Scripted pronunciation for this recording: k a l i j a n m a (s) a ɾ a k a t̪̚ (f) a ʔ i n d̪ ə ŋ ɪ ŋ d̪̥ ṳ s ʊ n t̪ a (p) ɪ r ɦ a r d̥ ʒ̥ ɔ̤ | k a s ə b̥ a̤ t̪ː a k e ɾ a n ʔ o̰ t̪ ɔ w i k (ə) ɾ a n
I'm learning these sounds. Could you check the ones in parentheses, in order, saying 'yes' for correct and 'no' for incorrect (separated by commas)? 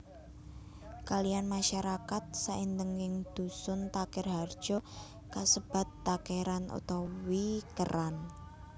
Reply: no, no, no, yes